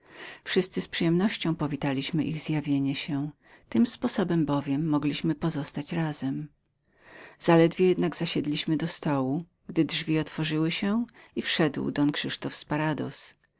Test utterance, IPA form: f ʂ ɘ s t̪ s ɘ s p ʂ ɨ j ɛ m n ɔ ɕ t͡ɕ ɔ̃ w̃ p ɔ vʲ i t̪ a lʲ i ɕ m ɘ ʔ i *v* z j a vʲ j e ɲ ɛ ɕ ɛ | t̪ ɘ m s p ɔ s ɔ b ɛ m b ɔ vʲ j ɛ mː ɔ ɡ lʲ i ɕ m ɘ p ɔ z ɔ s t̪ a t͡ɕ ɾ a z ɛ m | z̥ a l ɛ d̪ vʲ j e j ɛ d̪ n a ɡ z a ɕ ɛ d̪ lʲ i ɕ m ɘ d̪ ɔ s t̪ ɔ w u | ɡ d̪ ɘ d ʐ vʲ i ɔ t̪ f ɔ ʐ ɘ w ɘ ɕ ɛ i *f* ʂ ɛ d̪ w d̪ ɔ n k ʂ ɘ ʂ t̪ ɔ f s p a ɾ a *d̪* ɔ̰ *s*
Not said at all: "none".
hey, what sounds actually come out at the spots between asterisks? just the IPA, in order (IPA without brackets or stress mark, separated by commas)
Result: ɣ, f, d̪, s